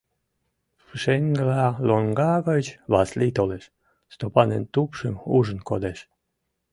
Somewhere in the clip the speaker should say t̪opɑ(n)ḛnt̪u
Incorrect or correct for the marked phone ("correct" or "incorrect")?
correct